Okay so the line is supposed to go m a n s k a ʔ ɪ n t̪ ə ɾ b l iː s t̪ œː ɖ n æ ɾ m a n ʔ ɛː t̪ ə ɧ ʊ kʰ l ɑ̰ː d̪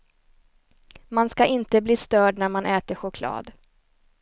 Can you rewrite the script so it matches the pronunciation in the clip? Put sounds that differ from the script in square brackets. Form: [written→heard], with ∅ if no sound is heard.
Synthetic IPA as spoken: m a n s k a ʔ ɪ n t̪ ə [ɾ→∅] b l iː s t̪ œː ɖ n æ ɾ m a n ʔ ɛː t̪ ə ɧ ʊ kʰ l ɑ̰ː d̪